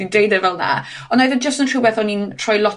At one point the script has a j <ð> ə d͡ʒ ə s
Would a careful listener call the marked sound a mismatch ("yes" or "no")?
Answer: no